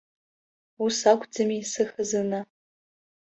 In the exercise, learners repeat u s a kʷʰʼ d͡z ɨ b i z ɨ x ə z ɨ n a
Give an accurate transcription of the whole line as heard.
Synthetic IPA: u s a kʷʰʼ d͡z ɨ m i s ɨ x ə z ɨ n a